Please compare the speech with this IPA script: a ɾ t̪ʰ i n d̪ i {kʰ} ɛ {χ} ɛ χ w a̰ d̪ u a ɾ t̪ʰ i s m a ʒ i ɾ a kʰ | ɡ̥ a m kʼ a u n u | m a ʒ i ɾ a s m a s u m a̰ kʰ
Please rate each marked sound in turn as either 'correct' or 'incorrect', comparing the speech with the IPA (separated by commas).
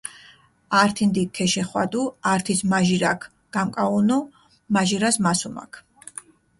correct, incorrect